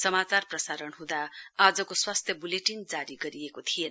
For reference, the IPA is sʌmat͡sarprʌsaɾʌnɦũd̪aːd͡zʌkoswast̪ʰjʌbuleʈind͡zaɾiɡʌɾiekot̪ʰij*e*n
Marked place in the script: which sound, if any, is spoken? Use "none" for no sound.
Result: e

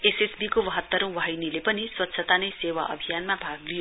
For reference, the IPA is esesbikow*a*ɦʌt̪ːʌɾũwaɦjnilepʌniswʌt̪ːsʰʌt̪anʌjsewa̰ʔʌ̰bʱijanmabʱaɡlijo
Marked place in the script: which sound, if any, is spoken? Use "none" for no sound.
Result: ʌ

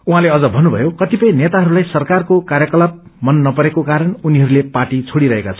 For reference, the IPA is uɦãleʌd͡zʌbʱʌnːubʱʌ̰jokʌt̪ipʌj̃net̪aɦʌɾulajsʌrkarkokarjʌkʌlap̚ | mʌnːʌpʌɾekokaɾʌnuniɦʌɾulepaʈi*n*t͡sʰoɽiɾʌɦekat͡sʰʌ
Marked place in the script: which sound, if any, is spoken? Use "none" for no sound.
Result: none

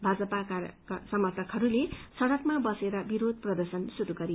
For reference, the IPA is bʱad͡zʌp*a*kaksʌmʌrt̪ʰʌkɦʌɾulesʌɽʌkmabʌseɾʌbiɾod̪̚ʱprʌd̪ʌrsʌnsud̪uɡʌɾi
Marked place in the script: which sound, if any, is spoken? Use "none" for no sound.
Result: a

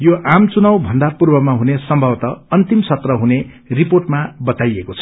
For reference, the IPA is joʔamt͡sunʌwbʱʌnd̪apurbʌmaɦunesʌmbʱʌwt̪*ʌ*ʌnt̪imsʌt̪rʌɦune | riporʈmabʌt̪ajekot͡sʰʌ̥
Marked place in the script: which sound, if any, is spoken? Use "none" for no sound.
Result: ʌ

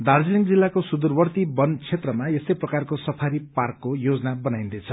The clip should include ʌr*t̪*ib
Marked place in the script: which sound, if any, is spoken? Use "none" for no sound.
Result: t̪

